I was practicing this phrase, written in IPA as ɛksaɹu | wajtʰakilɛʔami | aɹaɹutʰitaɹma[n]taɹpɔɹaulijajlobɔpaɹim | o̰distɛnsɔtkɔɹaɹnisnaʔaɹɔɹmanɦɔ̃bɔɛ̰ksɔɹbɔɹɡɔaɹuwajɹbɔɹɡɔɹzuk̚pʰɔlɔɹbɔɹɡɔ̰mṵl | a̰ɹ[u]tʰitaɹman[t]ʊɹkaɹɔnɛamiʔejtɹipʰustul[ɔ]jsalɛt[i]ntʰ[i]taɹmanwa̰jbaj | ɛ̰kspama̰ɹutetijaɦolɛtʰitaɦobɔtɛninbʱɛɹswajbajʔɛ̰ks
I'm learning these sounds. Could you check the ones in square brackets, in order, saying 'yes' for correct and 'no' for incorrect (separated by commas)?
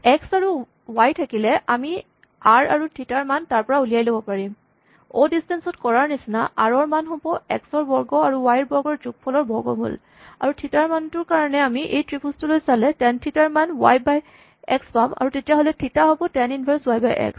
yes, yes, yes, no, no, yes